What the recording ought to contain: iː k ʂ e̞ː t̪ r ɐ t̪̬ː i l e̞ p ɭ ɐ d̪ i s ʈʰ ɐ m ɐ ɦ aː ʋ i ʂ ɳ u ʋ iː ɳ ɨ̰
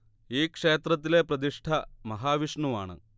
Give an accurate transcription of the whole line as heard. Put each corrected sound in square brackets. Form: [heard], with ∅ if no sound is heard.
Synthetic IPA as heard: iː k ʂ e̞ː t̪ r ɐ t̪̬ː i l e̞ p [r] ɐ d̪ i [ʂ] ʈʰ ɐ m ɐ ɦ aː ʋ i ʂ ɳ u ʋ [aː] ɳ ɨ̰